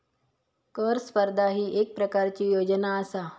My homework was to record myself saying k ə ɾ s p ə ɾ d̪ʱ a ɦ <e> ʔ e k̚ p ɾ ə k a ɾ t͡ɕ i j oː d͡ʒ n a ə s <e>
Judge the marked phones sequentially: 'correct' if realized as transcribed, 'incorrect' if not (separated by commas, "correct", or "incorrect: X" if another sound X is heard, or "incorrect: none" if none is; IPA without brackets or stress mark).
incorrect: i, incorrect: a